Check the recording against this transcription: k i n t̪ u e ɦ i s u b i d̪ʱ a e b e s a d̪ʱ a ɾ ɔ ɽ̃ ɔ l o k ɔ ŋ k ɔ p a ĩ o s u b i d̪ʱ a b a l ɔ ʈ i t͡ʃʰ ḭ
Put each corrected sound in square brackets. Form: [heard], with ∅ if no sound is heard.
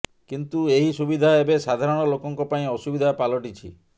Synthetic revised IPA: k i n t̪ u e ɦ i s u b i d̪ʱ a e b e s a d̪ʱ a ɾ ɔ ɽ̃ ɔ l o k ɔ ŋ k ɔ p a ĩ [ɔ] s u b i d̪ʱ a [p] a l ɔ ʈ i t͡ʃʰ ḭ

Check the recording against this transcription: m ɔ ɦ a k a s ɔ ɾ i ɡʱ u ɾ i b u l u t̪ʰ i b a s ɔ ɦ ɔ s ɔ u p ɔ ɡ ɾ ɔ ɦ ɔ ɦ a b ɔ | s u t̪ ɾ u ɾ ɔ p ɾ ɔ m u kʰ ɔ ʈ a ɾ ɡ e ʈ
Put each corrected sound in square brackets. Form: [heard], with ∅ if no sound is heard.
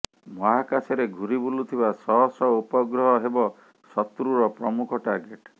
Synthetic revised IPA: m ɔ ɦ a k a s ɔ ɾ [e] ɡʱ u ɾ i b u l u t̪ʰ i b a s ɔ ɦ ɔ s ɔ u p ɔ ɡ ɾ ɔ ɦ ɔ ɦ [e] b ɔ | s [ɔ] t̪ ɾ u ɾ ɔ p ɾ ɔ m u kʰ ɔ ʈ a ɾ ɡ e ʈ

